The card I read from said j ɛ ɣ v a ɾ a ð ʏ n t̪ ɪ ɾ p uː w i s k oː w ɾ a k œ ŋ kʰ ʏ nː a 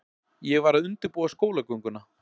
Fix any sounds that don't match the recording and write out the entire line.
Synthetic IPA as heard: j ɛ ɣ v a ɾ a ð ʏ n t̪ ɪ ɾ p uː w a s k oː w l a k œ ŋ k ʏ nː a